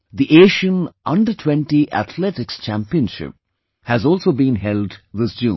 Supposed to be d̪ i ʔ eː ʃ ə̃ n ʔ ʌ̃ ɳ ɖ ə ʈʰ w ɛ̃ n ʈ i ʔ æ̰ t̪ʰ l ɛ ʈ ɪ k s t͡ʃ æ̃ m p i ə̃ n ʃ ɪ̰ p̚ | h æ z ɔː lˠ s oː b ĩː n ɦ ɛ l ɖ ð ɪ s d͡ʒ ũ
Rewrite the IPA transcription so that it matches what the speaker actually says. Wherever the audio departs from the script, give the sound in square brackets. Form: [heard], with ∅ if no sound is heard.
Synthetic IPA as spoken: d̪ i ʔ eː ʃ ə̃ n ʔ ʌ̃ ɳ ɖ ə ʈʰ w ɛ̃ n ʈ i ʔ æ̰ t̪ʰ l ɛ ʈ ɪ k s t͡ʃ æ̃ m p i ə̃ n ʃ ɪ̰ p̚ | h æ z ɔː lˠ s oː b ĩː n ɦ ɛ l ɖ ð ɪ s d͡ʒ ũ